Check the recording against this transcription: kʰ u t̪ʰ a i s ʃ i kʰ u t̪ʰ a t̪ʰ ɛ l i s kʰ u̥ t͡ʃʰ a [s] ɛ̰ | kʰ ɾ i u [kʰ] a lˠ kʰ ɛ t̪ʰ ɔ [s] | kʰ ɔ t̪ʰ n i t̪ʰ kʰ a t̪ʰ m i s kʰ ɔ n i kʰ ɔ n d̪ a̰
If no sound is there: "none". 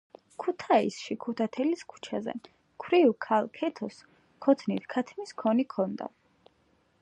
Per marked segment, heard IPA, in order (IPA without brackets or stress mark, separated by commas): z, kʰ, s